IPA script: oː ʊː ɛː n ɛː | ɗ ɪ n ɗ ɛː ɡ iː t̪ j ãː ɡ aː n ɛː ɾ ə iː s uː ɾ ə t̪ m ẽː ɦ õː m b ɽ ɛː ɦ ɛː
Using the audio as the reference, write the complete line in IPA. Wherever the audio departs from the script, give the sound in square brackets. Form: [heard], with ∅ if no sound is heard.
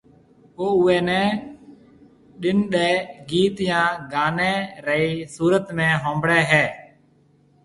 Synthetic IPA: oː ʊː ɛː n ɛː | ɗ ɪ n ɗ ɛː ɡ iː t̪ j ãː ɡ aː n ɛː ɾ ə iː s uː ɾ ə t̪ m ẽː ɦ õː m b ɽ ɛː ɦ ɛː